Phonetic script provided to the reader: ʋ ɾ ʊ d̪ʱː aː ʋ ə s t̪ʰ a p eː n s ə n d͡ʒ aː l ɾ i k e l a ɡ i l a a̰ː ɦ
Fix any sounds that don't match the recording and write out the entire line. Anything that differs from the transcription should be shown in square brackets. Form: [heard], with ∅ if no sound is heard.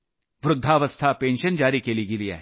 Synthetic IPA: ʋ ɾ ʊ d̪ʱː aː ʋ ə s t̪ʰ a p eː n [ʃ] ə n d͡ʒ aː [∅] ɾ i k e l [i] ɡ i l [i] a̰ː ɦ